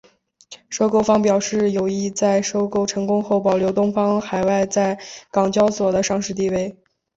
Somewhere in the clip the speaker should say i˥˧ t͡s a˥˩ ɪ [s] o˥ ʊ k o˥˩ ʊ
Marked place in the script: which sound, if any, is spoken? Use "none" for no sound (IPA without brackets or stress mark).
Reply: ʂ